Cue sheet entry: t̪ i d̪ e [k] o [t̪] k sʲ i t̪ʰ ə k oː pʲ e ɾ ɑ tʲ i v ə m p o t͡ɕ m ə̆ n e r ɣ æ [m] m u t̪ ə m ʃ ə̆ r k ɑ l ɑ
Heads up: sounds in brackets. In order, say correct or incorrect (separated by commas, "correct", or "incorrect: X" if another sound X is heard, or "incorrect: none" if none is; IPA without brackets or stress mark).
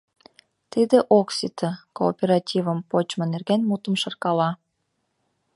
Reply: incorrect: ʔ, incorrect: none, incorrect: n